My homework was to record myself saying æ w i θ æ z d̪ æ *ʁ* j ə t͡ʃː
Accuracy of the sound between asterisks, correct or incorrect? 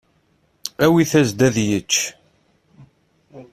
incorrect